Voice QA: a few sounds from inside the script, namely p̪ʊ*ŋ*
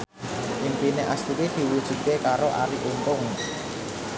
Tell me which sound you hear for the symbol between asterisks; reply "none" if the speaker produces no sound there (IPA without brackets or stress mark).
ŋ